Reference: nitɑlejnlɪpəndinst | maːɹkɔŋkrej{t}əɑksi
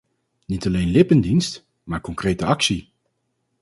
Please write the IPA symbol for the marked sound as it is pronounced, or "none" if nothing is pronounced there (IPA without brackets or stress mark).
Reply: t